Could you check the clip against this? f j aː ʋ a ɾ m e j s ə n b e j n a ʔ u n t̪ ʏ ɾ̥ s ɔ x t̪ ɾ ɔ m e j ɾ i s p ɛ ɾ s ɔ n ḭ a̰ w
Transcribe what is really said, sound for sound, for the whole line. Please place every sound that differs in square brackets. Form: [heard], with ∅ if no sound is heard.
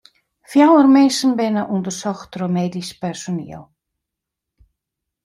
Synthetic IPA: f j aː [w] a ɾ m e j s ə n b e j n a ʔ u n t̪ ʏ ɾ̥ s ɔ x t̪ ɾ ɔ m e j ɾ i s p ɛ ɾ s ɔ n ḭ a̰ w